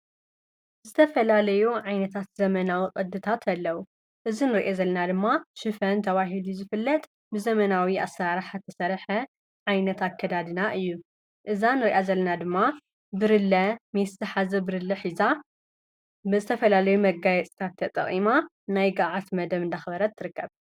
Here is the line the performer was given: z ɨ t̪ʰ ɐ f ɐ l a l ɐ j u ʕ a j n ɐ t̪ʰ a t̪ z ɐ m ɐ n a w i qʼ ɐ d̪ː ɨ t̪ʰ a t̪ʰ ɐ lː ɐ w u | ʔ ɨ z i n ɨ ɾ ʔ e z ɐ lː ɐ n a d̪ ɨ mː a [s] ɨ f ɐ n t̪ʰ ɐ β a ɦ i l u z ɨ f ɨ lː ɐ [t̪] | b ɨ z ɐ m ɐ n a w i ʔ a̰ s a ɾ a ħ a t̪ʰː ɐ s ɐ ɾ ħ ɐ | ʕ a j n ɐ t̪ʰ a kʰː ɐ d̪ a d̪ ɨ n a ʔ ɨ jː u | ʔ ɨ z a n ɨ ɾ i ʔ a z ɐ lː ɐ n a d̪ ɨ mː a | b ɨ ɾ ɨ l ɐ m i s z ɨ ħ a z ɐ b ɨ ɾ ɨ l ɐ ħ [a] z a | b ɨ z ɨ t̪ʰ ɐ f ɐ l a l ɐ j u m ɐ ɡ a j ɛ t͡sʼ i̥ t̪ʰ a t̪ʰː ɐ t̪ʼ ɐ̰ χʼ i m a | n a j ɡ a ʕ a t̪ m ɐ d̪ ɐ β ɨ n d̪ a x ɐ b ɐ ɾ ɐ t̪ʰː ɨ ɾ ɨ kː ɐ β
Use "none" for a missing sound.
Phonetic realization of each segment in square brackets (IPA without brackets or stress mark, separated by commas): ʃ, t̪ʼ, i